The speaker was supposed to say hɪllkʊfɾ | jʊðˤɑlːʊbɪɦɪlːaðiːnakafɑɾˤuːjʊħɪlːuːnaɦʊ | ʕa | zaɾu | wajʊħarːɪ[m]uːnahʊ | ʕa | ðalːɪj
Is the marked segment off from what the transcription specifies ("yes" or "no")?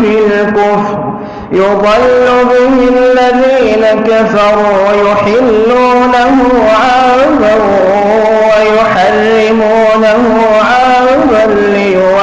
no